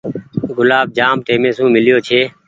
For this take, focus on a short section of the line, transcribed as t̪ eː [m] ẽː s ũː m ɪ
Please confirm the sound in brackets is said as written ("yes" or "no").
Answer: yes